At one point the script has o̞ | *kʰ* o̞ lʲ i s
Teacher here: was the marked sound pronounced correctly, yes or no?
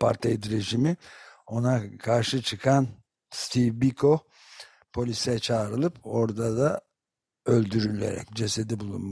no